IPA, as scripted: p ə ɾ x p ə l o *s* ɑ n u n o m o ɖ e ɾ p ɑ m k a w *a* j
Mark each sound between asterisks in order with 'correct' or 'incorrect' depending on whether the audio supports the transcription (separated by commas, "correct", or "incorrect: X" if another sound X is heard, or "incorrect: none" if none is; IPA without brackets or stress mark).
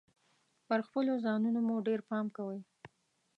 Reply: incorrect: z, incorrect: ə